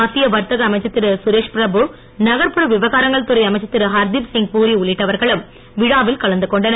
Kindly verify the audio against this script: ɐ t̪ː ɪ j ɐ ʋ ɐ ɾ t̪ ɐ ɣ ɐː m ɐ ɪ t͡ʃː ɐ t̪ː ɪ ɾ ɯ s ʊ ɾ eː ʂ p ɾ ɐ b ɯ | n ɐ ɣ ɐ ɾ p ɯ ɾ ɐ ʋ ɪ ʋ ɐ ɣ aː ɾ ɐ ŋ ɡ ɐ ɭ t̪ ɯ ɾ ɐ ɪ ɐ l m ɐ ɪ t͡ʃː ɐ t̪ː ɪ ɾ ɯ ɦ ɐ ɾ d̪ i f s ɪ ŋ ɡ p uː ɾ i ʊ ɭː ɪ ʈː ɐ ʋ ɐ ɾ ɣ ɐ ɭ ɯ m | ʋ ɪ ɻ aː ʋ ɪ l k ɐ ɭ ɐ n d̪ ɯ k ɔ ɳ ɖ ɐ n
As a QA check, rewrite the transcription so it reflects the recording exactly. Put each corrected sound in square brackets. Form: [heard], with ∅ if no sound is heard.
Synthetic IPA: ɐ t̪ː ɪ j ɐ ʋ ɐ ɾ t̪ ɐ ɣ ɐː m ɐ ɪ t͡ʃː ɐ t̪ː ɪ ɾ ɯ s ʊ ɾ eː ʂ p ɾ ɐ b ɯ | n ɐ ɣ ɐ ɾ p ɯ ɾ ɐ ʋ ɪ ʋ ɐ ɣ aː ɾ ɐ ŋ ɡ ɐ ɭ t̪ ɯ ɾ ɐ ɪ ɐ [∅] m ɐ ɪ t͡ʃː ɐ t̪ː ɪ ɾ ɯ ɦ ɐ ɾ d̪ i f s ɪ ŋ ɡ p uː ɾ i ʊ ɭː ɪ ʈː ɐ ʋ ɐ ɾ ɣ ɐ ɭ ɯ m | ʋ ɪ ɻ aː ʋ ɪ l k ɐ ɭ ɐ n d̪ ɯ k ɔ ɳ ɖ ɐ n